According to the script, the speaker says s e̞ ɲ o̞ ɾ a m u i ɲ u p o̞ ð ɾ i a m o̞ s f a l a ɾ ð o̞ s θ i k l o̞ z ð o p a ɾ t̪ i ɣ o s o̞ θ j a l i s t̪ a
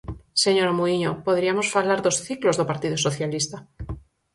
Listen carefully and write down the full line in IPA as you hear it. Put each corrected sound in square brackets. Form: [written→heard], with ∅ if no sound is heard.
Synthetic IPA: s e̞ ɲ o̞ ɾ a m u i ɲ [u→o] p o̞ ð ɾ i a m o̞ s f a l a ɾ ð o̞ s θ i k l o̞ z ð o p a ɾ t̪ i [ɣ→ð] o s o̞ θ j a l i s t̪ a